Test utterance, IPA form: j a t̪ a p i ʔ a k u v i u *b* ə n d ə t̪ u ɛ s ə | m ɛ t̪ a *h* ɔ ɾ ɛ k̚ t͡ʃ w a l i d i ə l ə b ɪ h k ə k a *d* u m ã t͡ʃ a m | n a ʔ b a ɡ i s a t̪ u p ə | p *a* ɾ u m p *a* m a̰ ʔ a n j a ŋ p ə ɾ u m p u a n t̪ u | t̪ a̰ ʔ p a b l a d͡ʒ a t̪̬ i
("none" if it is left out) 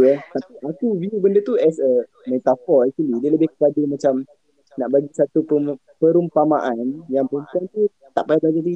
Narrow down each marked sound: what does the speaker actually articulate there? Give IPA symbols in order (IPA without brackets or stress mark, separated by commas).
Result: b, f, d, ə, a